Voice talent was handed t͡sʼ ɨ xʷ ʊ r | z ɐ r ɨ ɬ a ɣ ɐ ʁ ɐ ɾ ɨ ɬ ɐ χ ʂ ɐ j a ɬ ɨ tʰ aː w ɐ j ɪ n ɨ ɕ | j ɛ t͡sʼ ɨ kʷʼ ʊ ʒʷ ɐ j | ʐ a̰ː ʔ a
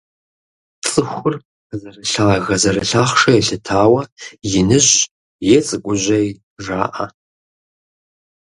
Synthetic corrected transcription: t͡sʼ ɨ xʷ ʊ r | z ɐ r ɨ ɬ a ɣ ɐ z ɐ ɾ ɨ ɬ a χ ʂ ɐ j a ɬ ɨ tʰ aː w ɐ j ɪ n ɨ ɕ | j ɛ t͡sʼ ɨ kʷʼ ʊ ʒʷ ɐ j | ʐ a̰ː ʔ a

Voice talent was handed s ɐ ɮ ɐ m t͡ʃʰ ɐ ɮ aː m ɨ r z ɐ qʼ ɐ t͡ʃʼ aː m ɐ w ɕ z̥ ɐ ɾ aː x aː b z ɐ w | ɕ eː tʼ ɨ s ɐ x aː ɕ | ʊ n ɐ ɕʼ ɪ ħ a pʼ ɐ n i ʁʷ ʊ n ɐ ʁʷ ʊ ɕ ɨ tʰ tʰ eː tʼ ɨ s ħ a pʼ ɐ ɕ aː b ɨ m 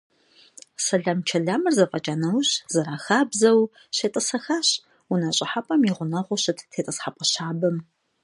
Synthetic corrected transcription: s ɐ ɮ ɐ m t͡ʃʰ ɐ ɮ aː m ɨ r z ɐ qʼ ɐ t͡ʃʼ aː n ɐ w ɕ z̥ ɐ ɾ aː x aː b z ɐ w | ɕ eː tʼ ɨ s ɐ x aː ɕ | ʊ n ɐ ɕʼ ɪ ħ a pʼ ɐ m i ʁʷ ʊ n ɐ ʁʷ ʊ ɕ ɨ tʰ tʰ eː tʼ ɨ s ħ a pʼ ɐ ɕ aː b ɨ m

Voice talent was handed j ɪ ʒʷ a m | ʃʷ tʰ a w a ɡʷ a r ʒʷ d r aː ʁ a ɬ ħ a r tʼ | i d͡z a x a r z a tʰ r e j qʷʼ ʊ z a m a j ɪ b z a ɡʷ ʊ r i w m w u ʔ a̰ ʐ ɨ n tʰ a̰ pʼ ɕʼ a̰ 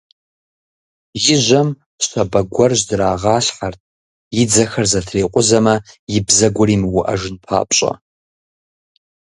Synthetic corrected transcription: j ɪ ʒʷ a m | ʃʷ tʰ a b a ɡʷ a r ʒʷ d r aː ʁ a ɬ ħ a r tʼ | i d͡z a x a r z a tʰ r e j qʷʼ ʊ z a m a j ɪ b z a ɡʷ ʊ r i m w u ʔ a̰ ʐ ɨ n pʰ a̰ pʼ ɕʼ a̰

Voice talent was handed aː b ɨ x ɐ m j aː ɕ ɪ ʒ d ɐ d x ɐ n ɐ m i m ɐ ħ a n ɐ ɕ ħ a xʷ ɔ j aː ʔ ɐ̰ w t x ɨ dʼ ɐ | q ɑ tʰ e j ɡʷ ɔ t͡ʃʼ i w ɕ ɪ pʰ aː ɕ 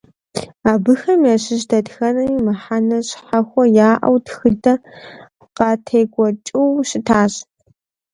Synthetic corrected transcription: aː b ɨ x ɐ m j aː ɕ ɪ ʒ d ɐ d x ɐ n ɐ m i m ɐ ħ a n ɐ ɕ ħ a xʷ ɔ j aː ʔ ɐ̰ w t x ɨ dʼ ɐ | q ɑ tʰ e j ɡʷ ɔ t͡ʃʼ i w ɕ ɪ tʰ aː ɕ

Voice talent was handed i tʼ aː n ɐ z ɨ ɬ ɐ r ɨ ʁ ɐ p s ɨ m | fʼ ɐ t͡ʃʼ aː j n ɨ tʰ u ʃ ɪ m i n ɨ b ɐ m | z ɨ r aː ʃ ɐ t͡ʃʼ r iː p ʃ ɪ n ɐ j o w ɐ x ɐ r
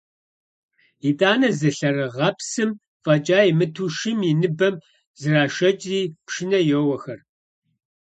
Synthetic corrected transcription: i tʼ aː n ɐ z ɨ ɬ ɐ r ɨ ʁ ɐ p s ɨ m | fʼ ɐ t͡ʃʼ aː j m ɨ tʰ u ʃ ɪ m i n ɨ b ɐ m | z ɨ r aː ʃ ɐ t͡ʃʼ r iː p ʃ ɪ n ɐ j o w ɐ x ɐ r

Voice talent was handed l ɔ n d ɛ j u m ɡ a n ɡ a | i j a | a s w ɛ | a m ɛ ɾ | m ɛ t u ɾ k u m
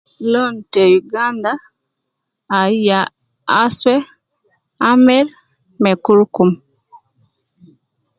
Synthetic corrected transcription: l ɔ n t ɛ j u ɡ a n d a | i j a | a s w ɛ | a m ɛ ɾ | m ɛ k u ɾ k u m

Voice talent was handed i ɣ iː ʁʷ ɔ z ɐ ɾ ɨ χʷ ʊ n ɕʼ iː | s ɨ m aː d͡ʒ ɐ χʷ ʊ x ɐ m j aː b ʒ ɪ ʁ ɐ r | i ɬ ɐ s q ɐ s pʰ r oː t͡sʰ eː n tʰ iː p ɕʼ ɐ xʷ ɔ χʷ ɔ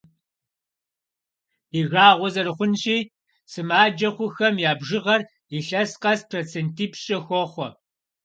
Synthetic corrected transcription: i ɣ aː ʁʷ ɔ z ɐ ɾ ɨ χʷ ʊ n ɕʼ iː | s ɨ m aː d͡ʒ ɐ χʷ ʊ x ɐ m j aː b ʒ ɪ ʁ ɐ r | i ɬ ɐ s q ɐ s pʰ r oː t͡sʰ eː n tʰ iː p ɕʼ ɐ xʷ ɔ χʷ ɔ

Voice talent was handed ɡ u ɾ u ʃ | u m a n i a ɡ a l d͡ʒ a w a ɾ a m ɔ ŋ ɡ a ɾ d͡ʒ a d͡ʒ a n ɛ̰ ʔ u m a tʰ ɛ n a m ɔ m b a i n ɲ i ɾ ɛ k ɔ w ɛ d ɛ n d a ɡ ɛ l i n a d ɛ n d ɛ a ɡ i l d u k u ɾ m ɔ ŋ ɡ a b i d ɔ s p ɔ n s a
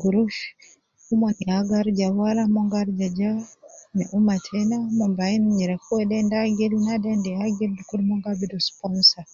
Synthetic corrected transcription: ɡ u ɾ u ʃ | u m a n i a ɡ a ɾ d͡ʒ a w a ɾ a m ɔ ŋ ɡ a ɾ d͡ʒ a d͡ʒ a n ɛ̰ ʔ u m a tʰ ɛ n a m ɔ m b a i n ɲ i ɾ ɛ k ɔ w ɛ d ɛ n d a ɡ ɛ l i n a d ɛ n d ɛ a ɡ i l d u k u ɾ m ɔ ŋ ɡ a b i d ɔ s p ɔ n s a

